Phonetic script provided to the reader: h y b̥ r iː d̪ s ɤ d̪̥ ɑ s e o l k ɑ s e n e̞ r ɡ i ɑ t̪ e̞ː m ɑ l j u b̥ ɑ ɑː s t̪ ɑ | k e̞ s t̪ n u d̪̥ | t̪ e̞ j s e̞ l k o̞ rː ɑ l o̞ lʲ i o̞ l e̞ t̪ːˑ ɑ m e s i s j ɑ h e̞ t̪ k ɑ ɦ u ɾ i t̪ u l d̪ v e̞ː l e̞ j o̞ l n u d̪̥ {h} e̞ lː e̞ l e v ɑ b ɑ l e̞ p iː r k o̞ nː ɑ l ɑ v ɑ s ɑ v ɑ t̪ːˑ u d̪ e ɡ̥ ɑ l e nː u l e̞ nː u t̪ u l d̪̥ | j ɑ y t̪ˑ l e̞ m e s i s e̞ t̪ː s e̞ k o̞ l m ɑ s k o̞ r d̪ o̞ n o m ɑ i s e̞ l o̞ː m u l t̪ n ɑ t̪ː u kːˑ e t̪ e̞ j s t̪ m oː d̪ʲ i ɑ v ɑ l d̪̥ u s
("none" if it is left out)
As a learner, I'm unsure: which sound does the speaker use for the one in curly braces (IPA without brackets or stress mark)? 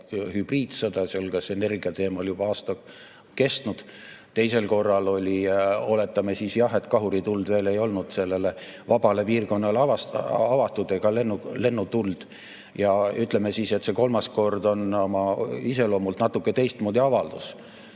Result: s